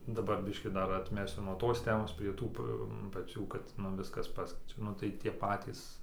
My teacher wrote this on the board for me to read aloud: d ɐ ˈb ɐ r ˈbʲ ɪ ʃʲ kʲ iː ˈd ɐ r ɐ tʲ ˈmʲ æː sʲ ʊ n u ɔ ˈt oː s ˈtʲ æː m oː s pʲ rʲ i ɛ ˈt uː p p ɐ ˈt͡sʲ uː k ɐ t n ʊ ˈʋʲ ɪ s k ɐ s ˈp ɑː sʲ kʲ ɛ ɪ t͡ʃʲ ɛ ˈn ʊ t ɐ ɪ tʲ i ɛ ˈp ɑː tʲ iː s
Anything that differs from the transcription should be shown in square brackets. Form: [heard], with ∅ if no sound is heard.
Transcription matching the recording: d ɐ ˈb ɐ r ˈbʲ ɪ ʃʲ kʲ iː ˈd ɐ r ɐ tʲ ˈmʲ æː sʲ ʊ n u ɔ ˈt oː s ˈtʲ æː m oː s pʲ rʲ i ɛ ˈt uː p p ɐ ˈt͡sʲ uː k ɐ t n ʊ ˈʋʲ ɪ s k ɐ s ˈp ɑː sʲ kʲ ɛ ɪ t͡ʃʲ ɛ ˈn ʊ t ɐ ɪ tʲ i ɛ ˈp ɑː tʲ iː s